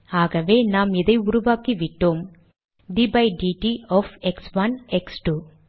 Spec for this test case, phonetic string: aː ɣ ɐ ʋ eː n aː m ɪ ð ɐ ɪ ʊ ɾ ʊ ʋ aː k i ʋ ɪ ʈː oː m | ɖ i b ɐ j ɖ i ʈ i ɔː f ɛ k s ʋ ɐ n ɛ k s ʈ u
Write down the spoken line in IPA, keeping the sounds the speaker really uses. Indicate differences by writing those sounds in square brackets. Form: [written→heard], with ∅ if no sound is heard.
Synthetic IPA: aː ɣ ɐ ʋ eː n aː m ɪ ð ɐ ɪ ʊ ɾ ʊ ʋ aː k i ʋ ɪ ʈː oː m | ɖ i b ɐ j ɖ i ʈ i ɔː f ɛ k s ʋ ɐ n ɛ k s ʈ u